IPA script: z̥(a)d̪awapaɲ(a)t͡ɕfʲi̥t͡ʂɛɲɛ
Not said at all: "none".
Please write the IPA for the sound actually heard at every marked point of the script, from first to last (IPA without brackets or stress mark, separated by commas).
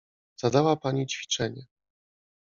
a, i